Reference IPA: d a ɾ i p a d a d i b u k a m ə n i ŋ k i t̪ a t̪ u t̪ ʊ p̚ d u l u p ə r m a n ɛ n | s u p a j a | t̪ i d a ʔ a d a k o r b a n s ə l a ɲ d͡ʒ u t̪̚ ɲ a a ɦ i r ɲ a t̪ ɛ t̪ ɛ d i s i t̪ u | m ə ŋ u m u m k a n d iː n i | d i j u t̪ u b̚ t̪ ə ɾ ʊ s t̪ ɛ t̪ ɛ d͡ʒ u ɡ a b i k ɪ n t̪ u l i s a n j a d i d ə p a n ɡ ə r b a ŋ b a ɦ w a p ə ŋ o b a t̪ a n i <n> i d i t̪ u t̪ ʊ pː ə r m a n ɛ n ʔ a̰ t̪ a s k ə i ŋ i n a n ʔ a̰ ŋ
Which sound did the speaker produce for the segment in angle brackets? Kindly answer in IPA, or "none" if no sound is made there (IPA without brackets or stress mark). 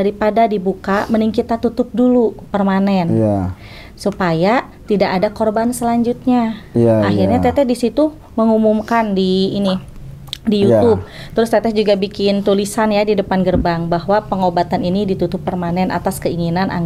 n